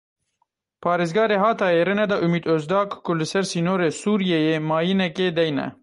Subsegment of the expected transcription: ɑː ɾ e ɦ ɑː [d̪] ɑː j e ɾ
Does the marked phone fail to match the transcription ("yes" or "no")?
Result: yes